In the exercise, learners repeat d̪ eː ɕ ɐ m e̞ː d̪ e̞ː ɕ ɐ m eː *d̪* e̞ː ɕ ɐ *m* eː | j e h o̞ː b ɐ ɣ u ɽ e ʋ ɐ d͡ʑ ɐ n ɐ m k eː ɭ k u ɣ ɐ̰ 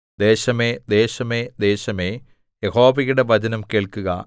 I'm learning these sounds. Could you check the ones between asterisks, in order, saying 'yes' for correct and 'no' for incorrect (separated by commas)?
yes, yes